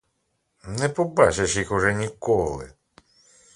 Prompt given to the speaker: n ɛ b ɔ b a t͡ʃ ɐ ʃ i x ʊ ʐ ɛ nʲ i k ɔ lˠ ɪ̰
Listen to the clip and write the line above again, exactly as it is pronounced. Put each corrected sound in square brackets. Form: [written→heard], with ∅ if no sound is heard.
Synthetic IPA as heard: n ɛ [b→p] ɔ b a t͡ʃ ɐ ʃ i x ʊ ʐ ɛ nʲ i k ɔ lˠ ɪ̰